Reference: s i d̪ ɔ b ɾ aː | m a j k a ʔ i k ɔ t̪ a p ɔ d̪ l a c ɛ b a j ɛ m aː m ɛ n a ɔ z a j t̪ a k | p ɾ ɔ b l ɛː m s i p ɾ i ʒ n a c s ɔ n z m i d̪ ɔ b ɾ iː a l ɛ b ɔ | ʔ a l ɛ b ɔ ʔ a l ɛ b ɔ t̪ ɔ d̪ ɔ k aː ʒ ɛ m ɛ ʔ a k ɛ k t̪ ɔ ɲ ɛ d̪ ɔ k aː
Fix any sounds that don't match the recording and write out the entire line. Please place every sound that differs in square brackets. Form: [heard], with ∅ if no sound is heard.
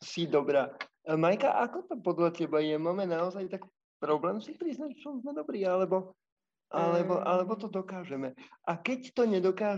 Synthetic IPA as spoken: s i d̪ ɔ b ɾ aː | m a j k a ʔ [a] k ɔ t̪ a p ɔ d̪ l a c ɛ b a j ɛ m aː m ɛ n a ɔ z a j t̪ a k | p ɾ ɔ b l ɛː m s i p ɾ i [z] n a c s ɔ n z m [ɛ] d̪ ɔ b ɾ iː a l ɛ b ɔ | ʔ a l ɛ b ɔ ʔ a l ɛ b ɔ t̪ ɔ d̪ ɔ k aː ʒ ɛ m ɛ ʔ a k ɛ [c] t̪ ɔ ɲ ɛ d̪ ɔ k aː